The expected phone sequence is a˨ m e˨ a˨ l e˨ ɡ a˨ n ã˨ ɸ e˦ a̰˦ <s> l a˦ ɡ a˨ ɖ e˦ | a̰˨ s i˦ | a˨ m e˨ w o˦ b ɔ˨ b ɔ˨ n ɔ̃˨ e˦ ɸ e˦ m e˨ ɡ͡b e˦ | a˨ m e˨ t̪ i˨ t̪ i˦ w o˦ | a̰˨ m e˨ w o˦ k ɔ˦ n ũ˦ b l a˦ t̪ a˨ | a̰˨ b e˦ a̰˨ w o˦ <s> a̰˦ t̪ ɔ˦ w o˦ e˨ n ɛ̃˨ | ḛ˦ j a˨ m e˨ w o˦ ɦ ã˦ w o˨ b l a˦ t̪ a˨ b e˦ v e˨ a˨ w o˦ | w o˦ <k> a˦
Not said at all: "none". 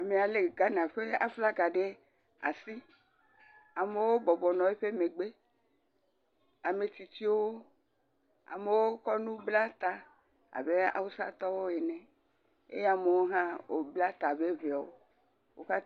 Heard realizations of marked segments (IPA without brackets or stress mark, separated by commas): f, s, k